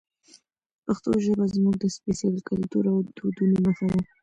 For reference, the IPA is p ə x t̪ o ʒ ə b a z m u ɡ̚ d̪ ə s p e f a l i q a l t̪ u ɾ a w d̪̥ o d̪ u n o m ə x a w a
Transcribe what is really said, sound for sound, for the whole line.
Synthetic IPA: p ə x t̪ o ʒ ə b a z m u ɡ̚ d̪ ə s p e s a l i k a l t̪ u ɾ a w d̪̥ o d̪ u n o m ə x a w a